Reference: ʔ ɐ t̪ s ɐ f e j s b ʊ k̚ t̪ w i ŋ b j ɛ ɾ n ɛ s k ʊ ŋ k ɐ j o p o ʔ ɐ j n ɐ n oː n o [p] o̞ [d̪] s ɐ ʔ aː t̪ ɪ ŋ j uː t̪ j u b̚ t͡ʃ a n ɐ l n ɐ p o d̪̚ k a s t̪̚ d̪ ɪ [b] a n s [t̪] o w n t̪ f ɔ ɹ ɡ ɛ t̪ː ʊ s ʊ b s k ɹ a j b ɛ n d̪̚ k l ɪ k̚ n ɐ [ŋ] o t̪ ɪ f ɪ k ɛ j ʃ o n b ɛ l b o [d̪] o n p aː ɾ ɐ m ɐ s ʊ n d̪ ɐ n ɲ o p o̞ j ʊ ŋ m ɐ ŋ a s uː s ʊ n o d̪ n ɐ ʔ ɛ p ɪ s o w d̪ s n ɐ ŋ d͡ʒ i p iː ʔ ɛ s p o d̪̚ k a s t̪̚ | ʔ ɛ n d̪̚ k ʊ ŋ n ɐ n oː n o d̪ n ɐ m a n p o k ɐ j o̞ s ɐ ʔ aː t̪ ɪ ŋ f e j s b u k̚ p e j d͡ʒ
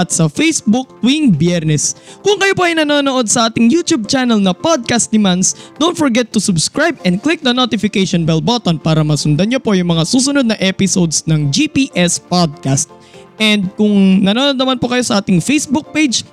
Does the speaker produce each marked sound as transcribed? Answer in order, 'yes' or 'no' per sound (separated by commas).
no, yes, no, no, no, no